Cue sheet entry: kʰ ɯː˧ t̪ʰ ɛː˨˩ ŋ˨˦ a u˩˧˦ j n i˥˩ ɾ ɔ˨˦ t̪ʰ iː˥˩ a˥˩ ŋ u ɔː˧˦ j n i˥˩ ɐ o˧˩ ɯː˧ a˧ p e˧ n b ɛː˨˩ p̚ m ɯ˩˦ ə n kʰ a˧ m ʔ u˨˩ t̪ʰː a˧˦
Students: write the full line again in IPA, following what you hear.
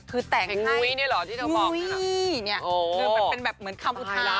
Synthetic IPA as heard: kʰ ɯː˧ t̪ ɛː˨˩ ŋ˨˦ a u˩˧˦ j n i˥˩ l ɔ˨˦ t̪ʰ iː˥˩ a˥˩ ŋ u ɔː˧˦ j n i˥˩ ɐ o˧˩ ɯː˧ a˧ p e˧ n b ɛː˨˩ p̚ m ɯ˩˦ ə n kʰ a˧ m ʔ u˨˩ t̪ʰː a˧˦